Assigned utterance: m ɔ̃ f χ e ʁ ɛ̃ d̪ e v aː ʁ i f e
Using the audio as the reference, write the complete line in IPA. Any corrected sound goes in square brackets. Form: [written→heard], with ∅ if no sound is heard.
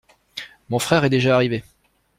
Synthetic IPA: m ɔ̃ f χ [e→ɛ] ʁ [ɛ̃→ɛ] d̪ e [v→ʒ] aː ʁ i [f→v] e